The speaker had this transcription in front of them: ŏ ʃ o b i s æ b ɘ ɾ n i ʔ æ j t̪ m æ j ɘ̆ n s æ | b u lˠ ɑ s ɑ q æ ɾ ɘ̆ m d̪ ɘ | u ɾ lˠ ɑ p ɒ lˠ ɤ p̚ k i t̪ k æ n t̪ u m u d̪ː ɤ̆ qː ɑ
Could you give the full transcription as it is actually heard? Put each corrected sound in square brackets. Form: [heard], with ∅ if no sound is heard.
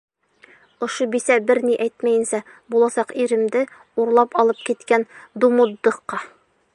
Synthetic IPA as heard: ŏ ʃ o b i s æ b ɘ ɾ n i ʔ æ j t̪ m æ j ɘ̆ n s æ | b u lˠ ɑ s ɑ q [i] ɾ ɘ̆ m d̪ ɘ | u ɾ lˠ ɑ p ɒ lˠ ɤ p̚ k i t̪ k æ n [d̪] u m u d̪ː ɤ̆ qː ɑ